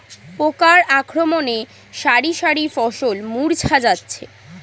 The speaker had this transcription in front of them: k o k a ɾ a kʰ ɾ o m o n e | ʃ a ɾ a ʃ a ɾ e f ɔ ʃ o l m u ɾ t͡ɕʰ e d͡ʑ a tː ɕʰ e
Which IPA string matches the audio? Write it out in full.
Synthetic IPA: p o k a ɾ a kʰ ɾ o m o n e | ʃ a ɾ i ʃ a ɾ i f ɔ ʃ o l m u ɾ t͡ɕʰ a d͡ʑ a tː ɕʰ e